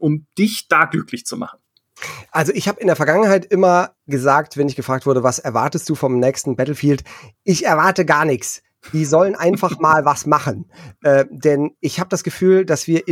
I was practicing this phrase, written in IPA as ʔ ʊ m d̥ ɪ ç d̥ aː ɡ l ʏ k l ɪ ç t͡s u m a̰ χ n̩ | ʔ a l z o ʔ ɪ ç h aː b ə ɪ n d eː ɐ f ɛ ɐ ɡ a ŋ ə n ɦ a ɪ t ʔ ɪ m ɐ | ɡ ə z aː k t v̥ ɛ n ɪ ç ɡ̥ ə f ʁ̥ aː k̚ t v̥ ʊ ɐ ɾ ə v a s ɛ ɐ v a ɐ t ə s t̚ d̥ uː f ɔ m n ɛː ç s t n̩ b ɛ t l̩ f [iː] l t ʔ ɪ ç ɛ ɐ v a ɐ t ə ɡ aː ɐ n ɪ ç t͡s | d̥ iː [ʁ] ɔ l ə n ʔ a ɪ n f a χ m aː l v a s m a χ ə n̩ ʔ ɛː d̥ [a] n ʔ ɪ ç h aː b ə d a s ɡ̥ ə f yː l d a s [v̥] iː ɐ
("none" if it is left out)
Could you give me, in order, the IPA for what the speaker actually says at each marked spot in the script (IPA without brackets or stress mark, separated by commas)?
iː, z, ɛ, v̥